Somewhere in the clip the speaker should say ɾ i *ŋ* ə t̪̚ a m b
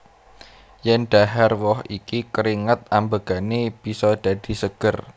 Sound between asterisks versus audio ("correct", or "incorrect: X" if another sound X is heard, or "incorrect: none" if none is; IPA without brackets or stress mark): correct